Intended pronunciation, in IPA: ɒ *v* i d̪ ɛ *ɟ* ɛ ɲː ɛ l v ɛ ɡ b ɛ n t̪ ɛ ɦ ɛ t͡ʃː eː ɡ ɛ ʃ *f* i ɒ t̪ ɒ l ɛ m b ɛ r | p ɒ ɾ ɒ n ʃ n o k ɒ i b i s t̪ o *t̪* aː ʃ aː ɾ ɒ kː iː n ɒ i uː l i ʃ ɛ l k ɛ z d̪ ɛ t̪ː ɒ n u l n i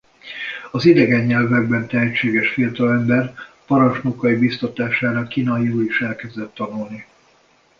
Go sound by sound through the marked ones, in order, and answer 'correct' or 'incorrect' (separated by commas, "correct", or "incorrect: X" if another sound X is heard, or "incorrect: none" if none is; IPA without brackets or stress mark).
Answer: incorrect: z, incorrect: ɡ, correct, correct